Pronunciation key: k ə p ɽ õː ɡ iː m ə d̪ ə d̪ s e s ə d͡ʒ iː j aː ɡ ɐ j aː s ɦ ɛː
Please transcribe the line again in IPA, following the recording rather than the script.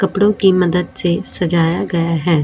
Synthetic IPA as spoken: k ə p ɽ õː k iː m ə d̪ ə d̪ s e s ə d͡ʒ aː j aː ɡ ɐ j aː ɦ ɛː